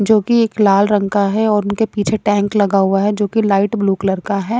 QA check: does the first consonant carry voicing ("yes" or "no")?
yes